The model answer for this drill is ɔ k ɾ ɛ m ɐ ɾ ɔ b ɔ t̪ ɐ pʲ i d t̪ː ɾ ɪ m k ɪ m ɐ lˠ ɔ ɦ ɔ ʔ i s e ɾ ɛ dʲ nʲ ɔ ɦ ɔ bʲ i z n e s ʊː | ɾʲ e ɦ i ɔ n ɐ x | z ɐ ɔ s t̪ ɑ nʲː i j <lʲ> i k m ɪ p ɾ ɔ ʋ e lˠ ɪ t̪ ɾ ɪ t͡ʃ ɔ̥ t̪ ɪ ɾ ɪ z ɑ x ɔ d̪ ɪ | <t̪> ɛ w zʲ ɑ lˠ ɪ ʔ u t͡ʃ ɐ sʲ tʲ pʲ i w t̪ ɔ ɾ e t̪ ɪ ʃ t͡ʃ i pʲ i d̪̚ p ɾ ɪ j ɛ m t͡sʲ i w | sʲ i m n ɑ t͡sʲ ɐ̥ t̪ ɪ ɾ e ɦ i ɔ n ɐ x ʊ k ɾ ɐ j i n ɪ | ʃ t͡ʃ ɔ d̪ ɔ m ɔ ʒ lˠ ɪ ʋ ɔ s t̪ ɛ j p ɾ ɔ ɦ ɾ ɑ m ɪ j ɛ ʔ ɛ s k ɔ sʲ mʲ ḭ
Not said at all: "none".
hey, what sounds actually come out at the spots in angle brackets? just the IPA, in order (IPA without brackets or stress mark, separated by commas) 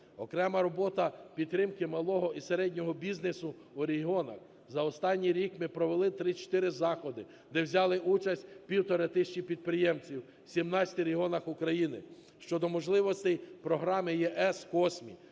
ɾʲ, d̪